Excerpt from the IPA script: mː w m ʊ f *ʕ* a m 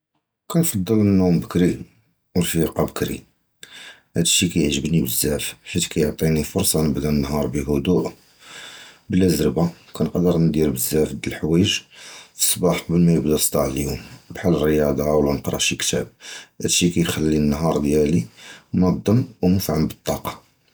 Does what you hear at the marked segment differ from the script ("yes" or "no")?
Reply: no